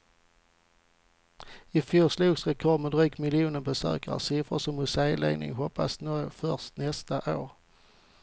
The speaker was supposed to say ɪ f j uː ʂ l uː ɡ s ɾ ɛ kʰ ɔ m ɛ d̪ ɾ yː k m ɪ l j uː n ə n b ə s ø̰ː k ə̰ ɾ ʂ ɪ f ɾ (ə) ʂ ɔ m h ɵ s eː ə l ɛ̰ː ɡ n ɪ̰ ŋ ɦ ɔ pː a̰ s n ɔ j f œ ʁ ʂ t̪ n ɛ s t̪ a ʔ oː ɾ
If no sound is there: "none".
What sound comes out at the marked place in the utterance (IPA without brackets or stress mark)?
ə